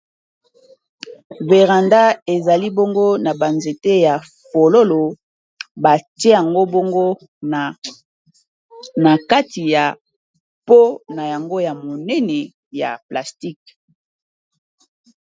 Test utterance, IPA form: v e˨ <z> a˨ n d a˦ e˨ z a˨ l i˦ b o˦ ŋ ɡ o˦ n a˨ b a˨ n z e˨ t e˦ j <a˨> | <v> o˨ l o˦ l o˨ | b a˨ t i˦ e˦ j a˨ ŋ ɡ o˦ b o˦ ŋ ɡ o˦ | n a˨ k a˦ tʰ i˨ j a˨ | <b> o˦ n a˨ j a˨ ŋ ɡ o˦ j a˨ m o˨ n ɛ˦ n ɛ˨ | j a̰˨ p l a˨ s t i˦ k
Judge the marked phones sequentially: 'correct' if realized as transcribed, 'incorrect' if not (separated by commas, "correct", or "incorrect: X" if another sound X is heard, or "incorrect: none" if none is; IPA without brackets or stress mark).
incorrect: ʁ, correct, incorrect: f, incorrect: p